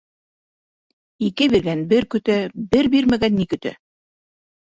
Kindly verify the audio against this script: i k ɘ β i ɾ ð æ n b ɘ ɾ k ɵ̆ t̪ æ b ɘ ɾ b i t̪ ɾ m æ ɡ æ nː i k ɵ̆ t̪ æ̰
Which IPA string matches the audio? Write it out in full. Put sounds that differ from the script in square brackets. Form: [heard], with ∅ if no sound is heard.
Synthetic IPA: i k ɘ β i ɾ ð æ n b ɘ ɾ k ɵ̆ t̪ æ b ɘ ɾ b i [∅] ɾ m æ ɡ æ nː i k ɵ̆ t̪ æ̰